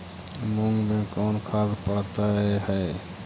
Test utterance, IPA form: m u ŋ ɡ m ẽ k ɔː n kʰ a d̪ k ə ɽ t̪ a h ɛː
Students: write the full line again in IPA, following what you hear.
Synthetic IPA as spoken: m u ŋ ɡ m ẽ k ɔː n kʰ a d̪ p ə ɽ t̪ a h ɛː